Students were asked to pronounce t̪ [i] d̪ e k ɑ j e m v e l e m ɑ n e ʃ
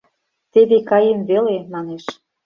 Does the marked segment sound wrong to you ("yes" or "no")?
yes